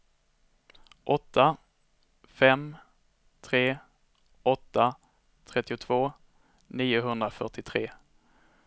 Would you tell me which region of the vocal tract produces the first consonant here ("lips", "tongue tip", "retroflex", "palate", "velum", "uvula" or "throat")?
throat